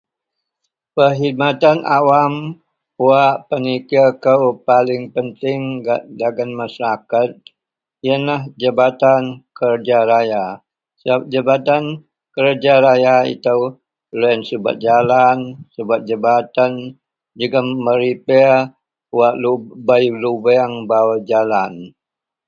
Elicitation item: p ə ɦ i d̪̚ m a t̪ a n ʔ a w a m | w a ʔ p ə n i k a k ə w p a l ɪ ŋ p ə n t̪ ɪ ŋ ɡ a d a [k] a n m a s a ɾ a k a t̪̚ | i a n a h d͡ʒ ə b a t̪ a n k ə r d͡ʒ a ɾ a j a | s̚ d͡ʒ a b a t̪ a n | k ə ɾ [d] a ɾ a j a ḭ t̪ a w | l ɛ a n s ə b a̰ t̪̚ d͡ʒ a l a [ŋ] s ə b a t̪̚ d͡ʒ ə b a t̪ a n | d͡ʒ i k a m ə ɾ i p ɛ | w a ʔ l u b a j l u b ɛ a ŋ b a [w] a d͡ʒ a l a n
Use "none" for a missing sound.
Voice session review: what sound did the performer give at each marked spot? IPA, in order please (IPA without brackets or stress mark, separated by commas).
ɡ, d͡ʒ, n, w